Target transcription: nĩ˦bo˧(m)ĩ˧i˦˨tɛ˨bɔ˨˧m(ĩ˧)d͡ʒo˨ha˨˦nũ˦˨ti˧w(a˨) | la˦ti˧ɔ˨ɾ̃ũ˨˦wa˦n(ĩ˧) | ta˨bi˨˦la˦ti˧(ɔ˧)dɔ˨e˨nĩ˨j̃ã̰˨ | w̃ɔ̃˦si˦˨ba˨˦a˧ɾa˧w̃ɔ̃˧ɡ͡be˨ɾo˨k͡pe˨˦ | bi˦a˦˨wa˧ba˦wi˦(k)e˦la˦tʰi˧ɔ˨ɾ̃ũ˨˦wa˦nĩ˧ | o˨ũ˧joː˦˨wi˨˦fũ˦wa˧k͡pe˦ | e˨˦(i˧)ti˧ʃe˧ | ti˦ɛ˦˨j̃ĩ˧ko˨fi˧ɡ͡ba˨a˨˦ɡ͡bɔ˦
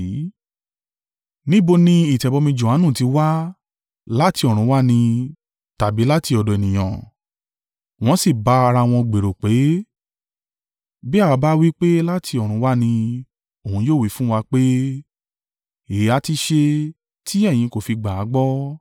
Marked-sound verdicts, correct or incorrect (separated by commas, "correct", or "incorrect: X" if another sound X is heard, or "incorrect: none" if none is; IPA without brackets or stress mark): incorrect: n, correct, incorrect: a˦, correct, correct, incorrect: k͡p, incorrect: a˧